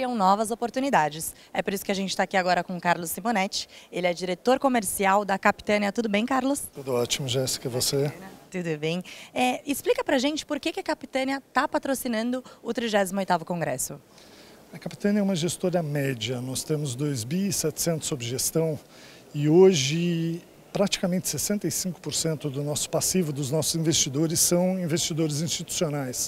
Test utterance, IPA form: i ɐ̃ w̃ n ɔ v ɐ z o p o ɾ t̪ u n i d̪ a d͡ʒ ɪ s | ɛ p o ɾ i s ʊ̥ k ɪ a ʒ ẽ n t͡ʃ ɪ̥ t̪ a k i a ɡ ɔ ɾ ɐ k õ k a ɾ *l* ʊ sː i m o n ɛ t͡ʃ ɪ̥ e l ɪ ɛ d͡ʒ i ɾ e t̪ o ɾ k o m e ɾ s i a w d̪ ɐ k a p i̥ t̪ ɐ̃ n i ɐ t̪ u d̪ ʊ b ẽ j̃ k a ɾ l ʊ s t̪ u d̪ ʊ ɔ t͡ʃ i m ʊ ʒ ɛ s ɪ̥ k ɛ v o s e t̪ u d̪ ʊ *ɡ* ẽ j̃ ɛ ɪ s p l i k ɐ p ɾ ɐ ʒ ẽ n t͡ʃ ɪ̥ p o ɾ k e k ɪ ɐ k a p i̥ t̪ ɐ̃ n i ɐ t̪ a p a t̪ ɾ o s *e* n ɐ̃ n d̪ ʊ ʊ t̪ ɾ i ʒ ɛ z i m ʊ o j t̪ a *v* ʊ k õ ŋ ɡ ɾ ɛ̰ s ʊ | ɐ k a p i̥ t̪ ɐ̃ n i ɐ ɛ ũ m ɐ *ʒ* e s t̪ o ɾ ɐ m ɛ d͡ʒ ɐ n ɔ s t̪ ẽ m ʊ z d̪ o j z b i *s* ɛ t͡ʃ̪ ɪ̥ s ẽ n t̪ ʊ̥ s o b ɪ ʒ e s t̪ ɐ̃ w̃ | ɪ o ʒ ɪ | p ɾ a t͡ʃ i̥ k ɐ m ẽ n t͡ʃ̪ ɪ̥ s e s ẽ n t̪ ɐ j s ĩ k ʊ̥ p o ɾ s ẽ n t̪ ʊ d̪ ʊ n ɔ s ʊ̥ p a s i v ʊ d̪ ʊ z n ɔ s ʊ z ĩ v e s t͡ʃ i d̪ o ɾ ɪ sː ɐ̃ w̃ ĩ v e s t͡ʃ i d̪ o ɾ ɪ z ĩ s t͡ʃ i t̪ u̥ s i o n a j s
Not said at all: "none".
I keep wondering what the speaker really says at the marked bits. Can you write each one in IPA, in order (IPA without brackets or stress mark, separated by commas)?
l, b, i, v, ʒ, s